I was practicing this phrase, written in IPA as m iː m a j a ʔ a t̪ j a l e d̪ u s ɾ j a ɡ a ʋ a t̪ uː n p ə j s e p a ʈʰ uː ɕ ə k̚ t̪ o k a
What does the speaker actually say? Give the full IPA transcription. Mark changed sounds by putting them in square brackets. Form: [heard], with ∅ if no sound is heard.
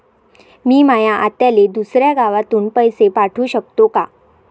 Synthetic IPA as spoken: m iː m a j a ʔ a t̪ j a l e d̪ u s ɾ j a ɡ a ʋ a t̪ uː n p ə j s e p a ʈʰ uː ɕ ə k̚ t̪ o k a